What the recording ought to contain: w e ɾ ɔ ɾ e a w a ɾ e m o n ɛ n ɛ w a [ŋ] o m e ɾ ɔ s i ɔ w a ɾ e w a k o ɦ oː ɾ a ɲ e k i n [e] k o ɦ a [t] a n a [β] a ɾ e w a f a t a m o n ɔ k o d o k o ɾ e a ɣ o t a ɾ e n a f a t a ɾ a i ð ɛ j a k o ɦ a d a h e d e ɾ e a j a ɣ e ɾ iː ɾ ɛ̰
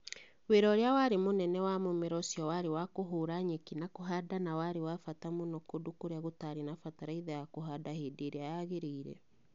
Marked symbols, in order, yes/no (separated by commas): no, no, no, no